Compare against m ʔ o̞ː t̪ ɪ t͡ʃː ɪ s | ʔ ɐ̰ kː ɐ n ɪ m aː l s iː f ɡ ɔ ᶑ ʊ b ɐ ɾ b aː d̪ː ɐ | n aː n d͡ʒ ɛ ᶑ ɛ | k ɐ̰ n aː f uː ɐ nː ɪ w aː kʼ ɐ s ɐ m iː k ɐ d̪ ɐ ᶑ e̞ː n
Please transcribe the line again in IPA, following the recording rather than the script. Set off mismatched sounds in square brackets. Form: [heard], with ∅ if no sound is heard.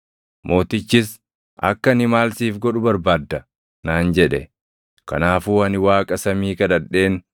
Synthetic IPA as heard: m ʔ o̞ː t̪ ɪ t͡ʃː ɪ s | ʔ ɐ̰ kː ɐ n ɪ m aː l s iː f ɡ ɔ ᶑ ʊ b ɐ ɾ b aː d̪ː ɐ | n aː n d͡ʒ ɛ ᶑ ɛ | k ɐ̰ n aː f uː ɐ [n] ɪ w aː kʼ ɐ s ɐ m iː k ɐ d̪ ɐ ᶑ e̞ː n